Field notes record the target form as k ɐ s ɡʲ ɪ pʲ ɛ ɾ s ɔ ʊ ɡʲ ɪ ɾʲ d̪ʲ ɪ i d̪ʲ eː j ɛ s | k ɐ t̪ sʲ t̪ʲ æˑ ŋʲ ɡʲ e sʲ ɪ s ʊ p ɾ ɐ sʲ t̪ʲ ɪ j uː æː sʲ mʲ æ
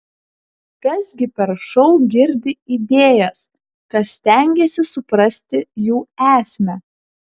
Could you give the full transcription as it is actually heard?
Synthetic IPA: k ɐ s ɡʲ ɪ pʲ ɛ ɾ ʃ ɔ ʊ ɡʲ ɪ ɾʲ d̪ʲ ɪ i d̪ʲ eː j ɛ s | k ɐ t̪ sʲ t̪ʲ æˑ ŋʲ ɡʲ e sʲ ɪ s ʊ p ɾ ɐ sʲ t̪ʲ ɪ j uː æː sʲ mʲ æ